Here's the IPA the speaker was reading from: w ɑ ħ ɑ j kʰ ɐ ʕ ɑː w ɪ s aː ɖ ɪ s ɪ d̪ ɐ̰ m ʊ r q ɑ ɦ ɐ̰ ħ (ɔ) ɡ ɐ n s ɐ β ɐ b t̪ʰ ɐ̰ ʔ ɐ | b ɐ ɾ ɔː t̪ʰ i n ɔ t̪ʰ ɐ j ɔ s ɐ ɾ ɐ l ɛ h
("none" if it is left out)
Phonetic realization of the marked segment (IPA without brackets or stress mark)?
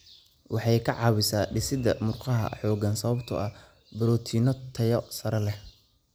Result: ɔː